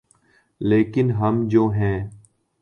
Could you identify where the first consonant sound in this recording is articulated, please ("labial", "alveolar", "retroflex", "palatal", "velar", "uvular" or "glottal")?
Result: alveolar